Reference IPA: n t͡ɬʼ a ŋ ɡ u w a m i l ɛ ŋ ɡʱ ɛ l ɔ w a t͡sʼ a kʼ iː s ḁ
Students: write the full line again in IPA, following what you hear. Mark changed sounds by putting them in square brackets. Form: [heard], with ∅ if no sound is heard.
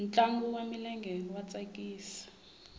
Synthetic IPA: n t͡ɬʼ a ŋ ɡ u w a m i l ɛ ŋ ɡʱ ɛ l ɔ w a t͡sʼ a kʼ iː s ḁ

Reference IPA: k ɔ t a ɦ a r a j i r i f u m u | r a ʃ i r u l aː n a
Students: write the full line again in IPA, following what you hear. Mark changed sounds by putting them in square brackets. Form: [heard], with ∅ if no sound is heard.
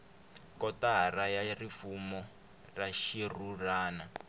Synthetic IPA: k ɔ t a ɦ a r a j [a] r i f u m [ɔ] | r a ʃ i r u [r] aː n a

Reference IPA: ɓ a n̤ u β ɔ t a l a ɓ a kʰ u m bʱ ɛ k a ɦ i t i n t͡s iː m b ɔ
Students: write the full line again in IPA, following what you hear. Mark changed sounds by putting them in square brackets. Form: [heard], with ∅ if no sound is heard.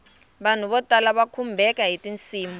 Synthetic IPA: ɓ a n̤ u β ɔ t a l a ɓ a kʰ u m bʱ ɛ k a ɦ i t i n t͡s iː m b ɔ

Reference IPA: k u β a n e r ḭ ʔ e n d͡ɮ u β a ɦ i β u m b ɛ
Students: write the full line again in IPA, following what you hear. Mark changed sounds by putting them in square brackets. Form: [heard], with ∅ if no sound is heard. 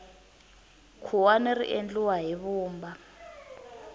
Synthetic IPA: [kʰ] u [w] a n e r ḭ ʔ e n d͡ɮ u [w] a ɦ i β [uː] m b [a]

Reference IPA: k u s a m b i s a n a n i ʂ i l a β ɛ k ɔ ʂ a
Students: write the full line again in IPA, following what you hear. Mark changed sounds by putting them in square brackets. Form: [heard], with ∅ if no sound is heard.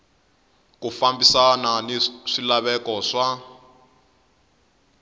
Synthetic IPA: k u [f] a m b i s a n a n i ʂ i l a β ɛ k ɔ ʂ a

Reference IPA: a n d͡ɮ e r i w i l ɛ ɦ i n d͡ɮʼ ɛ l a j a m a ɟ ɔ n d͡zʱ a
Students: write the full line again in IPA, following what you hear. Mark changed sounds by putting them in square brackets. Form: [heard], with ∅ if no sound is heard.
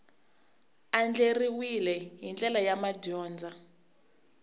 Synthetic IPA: a n d͡ɮ e r i w i l ɛ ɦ i n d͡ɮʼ ɛ l a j a m a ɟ [ɔː] n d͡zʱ a

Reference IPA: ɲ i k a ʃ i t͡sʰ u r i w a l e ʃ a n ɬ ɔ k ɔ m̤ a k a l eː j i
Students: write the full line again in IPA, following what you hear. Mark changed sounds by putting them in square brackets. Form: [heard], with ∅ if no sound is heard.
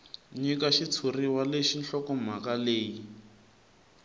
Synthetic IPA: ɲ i k a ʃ i t͡sʰ u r i w a l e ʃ [i] n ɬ ɔ k ɔ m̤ a k a l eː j i

